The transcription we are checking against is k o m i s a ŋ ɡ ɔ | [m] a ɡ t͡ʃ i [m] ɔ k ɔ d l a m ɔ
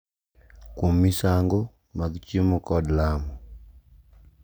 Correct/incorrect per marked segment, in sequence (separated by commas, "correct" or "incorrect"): correct, correct